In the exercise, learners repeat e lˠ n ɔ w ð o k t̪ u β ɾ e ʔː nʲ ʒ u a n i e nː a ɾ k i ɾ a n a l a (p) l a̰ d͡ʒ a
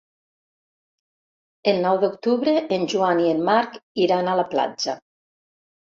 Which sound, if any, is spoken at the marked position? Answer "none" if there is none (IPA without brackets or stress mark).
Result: p